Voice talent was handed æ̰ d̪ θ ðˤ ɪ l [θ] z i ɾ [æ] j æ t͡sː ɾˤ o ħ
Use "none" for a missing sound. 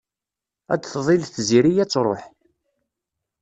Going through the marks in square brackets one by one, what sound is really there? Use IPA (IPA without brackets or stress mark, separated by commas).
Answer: θ, i